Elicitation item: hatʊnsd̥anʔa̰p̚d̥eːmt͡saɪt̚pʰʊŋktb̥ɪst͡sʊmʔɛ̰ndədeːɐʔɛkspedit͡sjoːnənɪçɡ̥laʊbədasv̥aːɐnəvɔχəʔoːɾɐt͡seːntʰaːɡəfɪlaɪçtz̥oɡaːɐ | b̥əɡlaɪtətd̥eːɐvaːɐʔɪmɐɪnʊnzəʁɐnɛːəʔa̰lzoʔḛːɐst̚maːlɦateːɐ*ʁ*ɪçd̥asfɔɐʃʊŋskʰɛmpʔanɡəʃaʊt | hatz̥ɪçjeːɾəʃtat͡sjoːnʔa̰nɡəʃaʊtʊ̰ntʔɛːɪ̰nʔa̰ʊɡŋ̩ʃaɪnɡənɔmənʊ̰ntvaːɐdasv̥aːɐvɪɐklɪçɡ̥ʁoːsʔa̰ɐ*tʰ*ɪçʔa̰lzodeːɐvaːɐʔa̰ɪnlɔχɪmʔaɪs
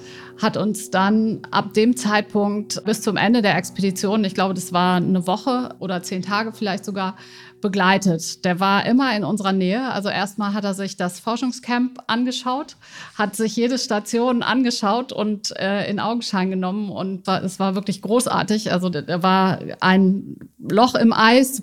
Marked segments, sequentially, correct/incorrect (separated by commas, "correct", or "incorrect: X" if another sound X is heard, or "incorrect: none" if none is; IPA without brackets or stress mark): incorrect: z, incorrect: t